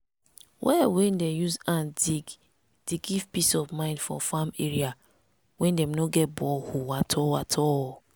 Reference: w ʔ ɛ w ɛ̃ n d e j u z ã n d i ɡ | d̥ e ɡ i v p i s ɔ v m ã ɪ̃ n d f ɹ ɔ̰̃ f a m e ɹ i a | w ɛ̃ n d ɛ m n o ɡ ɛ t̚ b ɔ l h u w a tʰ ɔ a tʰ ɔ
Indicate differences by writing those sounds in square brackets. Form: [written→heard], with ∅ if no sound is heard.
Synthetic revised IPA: w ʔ ɛ w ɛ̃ n d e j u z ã n d i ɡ | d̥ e ɡ i v p i s ɔ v m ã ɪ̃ n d f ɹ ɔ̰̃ f a m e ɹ i a | w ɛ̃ n d ɛ m n o ɡ ɛ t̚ b ɔ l h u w a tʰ ɔ a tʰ ɔ